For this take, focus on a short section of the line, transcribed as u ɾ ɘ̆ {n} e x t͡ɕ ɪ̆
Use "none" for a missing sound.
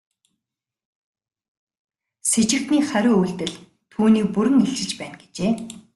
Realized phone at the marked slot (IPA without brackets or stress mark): ŋ